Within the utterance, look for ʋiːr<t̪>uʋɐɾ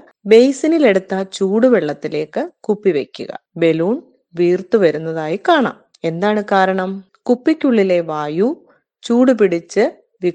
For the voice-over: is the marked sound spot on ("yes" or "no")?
yes